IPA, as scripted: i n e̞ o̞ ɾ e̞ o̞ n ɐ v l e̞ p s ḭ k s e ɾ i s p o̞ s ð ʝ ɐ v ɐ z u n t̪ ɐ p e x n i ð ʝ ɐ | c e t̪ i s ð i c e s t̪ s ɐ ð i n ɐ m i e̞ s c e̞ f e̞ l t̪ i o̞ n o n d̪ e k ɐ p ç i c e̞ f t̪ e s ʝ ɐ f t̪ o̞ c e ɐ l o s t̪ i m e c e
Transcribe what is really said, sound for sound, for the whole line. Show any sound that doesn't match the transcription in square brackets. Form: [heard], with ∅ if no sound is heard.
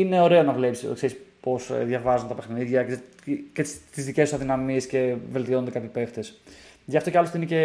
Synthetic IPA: i n e̞ o̞ ɾ e̞ o̞ n ɐ v l e̞ p s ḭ k s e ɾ i s p o̞ s ð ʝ ɐ v ɐ z u n t̪ ɐ p e x n i ð ʝ ɐ | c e t̪ i [z] ð i c e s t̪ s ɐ ð i n ɐ m i e̞ s c e̞ [v] e̞ l t̪ i o̞ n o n d̪ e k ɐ p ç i [p] e̞ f t̪ e s ʝ ɐ f t̪ o̞ c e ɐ l o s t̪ i [n] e c e